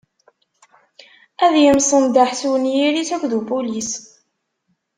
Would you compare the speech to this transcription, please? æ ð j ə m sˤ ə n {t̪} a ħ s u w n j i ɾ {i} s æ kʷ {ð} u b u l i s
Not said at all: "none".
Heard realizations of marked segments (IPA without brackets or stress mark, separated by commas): d̪, i, ð